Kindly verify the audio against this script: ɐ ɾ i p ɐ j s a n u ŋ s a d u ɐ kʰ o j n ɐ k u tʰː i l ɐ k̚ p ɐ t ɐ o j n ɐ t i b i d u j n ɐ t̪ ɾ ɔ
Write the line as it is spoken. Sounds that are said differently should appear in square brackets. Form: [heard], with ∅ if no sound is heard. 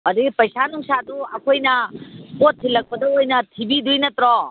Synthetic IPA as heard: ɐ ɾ i p ɐ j s a n u ŋ s a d u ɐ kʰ o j n ɐ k [o] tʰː i l ɐ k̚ p ɐ [d] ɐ o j n ɐ [tʰ] i b i d u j n ɐ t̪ ɾ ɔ